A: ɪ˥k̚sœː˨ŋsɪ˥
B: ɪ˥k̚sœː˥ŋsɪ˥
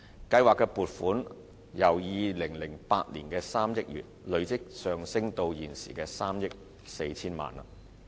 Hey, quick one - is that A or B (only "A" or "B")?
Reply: A